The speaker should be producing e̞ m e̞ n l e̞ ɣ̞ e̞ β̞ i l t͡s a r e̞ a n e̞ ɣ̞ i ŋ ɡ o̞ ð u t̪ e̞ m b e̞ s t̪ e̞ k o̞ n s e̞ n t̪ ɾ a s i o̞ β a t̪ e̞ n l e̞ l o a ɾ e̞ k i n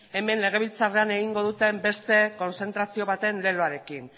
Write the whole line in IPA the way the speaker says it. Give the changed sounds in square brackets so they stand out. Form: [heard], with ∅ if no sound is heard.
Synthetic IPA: e̞ m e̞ n l e̞ ɣ̞ e̞ β̞ i l t͡s a r e̞ a n e̞ ɣ̞ i ŋ ɡ o̞ ð u t̪ e̞ m b e̞ s t̪ e̞ k o̞ n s e̞ n t̪ ɾ a s i o̞ β a t̪ e̞ n l e̞ l o a ɾ e̞ k i n